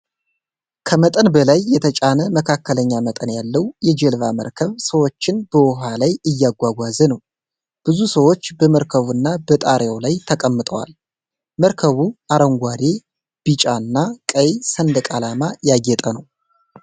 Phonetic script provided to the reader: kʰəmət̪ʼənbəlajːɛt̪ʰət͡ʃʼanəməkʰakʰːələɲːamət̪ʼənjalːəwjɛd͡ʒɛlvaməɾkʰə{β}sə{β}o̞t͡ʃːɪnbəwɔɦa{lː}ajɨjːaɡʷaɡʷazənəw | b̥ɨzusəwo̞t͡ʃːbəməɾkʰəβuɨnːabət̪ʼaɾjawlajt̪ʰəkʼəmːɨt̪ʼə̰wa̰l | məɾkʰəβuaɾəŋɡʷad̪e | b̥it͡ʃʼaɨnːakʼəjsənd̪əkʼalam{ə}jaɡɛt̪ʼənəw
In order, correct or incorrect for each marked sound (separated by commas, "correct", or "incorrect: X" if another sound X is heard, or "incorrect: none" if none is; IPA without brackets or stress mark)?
correct, incorrect: w, incorrect: l, incorrect: a